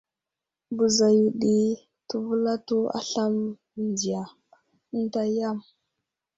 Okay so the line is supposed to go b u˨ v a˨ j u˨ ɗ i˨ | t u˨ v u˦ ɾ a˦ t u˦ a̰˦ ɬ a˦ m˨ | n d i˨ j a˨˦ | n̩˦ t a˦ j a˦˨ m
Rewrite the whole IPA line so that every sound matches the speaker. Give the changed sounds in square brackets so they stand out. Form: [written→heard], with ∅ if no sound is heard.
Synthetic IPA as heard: b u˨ [v→z] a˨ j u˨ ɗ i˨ | t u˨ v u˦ [ɾ→l] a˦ t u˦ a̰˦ ɬ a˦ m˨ | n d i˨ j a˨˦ | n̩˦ t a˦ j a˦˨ m